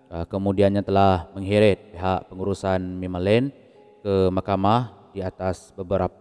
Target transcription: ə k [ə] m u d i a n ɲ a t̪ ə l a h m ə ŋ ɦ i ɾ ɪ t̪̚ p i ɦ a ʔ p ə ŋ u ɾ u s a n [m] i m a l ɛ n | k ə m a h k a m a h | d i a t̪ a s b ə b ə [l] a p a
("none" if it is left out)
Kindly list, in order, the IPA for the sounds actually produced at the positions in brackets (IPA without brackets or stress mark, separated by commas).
ə, m, ɾ